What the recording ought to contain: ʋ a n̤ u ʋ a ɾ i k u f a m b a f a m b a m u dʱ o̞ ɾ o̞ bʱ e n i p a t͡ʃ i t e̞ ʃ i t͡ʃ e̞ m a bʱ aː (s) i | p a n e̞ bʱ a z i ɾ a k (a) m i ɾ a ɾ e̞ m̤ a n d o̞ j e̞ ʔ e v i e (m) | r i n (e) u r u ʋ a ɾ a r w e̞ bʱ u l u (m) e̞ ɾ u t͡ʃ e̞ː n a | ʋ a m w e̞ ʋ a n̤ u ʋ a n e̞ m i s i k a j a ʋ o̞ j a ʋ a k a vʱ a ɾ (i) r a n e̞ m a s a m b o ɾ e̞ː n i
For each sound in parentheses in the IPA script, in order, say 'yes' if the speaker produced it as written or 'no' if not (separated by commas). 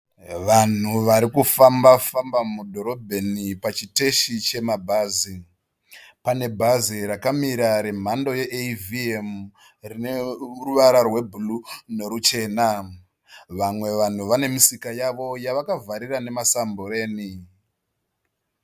no, yes, yes, yes, no, yes